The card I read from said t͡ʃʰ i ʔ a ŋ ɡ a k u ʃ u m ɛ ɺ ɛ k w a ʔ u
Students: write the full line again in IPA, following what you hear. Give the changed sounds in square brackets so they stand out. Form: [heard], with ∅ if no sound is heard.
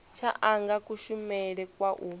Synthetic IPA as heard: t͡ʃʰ [a] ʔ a ŋ ɡ a k u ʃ u m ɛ ɺ ɛ k w a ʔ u